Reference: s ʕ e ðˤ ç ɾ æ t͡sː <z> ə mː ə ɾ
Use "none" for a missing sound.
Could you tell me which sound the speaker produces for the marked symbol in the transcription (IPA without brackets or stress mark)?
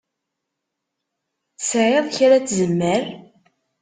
z